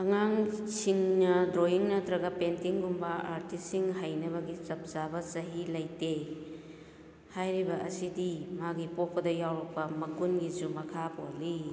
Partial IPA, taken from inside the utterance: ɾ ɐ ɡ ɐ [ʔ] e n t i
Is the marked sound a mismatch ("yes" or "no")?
yes